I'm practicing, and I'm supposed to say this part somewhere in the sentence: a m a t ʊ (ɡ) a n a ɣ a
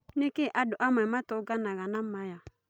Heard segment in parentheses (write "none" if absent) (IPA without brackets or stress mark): ɡ